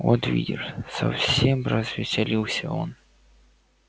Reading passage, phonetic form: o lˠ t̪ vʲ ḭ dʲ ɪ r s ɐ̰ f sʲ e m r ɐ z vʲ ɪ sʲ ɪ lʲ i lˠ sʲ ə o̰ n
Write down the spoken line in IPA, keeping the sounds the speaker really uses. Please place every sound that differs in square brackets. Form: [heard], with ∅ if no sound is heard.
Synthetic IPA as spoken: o [∅] t̪ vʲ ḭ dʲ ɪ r s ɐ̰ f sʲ e m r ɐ z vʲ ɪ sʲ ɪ lʲ i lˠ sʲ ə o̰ n

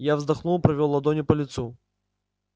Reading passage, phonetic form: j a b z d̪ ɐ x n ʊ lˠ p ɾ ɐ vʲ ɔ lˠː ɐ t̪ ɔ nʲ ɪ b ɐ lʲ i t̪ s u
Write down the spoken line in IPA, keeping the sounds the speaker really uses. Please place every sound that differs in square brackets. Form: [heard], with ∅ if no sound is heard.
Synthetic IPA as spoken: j a [v] z d̪ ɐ x n [u] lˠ p ɾ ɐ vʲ ɔ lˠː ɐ [d̪] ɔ nʲ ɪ [p] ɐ lʲ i t̪ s u

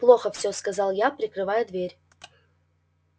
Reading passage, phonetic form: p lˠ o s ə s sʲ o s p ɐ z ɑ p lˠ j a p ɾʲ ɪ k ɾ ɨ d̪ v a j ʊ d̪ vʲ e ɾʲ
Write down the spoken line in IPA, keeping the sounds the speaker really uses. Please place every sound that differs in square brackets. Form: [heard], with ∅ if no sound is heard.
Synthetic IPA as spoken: p lˠ o [x] ə [f] sʲ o s [k] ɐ z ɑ [∅] lˠ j a p ɾʲ ɪ k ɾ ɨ [∅] v a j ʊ d̪ vʲ e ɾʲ

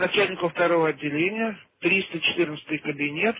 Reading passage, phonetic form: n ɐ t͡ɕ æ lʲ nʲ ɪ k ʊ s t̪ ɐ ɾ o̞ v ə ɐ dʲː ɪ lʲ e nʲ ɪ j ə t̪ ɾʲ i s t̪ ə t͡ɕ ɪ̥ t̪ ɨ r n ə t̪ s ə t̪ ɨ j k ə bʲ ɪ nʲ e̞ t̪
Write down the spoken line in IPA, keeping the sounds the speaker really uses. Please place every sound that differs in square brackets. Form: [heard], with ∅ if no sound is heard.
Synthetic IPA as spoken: n ɐ t͡ɕ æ lʲ nʲ ɪ k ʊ [f] t̪ ɐ ɾ o̞ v ə ɐ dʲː ɪ lʲ e nʲ ɪ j ə t̪ ɾʲ i s t̪ ə t͡ɕ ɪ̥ t̪ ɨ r n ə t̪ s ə t̪ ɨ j k ə bʲ ɪ nʲ e̞ t̪

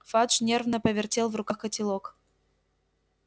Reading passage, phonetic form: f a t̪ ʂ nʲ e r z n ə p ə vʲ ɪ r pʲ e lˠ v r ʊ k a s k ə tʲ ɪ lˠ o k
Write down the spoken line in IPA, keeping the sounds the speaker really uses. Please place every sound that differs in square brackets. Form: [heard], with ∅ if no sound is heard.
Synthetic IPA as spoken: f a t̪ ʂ nʲ e r [v] n ə p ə vʲ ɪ r [tʲ] e lˠ v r ʊ k a [x] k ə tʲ ɪ lˠ o k

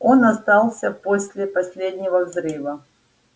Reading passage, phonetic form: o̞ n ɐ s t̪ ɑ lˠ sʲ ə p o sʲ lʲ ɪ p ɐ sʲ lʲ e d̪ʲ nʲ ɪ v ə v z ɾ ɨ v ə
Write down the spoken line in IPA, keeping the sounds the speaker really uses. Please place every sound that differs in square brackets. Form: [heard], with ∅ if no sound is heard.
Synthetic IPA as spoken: o̞ n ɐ s t̪ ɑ lˠ sʲ ə p o sʲ lʲ ɪ p ɐ sʲ lʲ e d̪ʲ nʲ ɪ v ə v z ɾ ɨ v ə

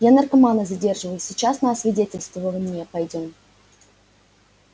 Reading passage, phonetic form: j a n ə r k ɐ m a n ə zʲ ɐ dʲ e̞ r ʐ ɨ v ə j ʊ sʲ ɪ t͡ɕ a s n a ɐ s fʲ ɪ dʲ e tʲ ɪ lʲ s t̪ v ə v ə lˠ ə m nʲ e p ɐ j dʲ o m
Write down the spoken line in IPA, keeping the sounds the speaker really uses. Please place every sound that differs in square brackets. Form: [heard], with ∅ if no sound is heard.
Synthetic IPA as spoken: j a n ə r k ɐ m a n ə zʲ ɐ dʲ e̞ r ʐ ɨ v ə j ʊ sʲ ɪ t͡ɕ a s n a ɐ s [vʲ] ɪ dʲ e tʲ ɪ lʲ s t̪ v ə v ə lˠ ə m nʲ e p ɐ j dʲ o m

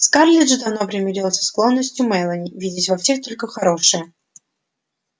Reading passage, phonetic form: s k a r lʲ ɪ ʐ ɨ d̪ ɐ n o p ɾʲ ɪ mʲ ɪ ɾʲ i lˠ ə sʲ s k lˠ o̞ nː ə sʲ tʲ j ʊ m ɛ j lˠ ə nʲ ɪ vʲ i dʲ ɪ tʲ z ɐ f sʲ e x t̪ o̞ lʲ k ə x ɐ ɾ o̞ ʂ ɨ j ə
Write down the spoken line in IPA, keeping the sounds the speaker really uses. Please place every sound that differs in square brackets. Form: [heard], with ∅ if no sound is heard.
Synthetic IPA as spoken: s k a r lʲ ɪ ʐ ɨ d̪ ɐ n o p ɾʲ ɪ mʲ ɪ ɾʲ i lˠ ə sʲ s k lˠ o̞ nː ə sʲ tʲ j ʊ m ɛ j lˠ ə nʲ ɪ vʲ i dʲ ɪ tʲ [v] ɐ f sʲ e x t̪ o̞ lʲ k ə x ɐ ɾ o̞ ʂ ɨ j ə

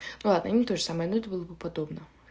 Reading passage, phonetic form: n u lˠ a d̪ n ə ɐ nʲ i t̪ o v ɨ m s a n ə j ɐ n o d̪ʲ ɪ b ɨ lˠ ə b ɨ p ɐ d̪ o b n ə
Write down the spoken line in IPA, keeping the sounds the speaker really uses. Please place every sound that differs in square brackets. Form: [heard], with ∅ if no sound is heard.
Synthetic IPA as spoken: n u lˠ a d̪ n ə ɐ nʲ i t̪ o [ʐ] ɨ [∅] s a [m] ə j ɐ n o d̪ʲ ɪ b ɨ lˠ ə b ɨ p ɐ d̪ o b n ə

